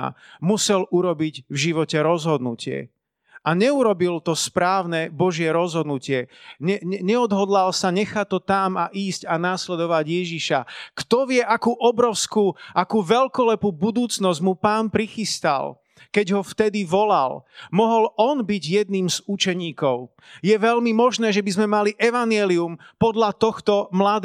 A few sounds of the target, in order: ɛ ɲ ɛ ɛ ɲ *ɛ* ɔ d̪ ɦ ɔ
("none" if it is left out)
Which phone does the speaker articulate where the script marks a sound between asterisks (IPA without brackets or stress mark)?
ɛ